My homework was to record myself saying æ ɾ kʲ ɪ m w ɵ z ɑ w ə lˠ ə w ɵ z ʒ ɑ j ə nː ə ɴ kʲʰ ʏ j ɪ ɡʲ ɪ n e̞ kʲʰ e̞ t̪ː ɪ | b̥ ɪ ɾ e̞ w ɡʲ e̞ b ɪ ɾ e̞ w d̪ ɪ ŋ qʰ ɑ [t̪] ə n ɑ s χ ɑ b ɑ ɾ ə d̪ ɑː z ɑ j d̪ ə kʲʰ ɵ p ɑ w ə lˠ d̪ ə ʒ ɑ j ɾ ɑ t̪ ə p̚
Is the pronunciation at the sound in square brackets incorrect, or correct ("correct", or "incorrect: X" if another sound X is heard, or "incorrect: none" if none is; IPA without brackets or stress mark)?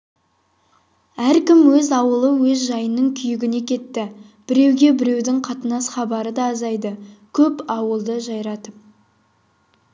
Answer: correct